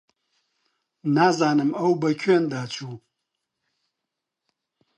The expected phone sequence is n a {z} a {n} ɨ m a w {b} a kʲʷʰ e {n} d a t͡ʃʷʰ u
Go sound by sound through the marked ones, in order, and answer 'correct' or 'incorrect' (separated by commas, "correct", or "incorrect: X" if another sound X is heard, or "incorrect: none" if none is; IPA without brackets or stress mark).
correct, correct, correct, correct